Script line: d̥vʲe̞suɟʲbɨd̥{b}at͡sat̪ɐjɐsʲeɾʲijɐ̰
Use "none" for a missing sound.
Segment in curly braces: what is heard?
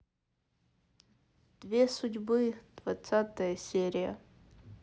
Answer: v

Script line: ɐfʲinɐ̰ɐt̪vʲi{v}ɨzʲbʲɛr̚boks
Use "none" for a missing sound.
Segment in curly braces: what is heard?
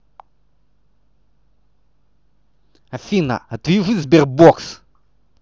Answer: ʐ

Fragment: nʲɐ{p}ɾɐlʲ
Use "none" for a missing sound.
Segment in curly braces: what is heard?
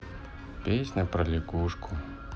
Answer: p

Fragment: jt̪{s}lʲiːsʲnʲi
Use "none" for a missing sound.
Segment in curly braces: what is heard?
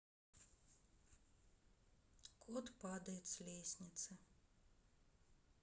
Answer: s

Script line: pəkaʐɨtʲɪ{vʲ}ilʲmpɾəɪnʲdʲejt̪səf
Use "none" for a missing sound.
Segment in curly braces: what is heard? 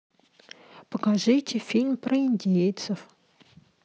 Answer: fʲ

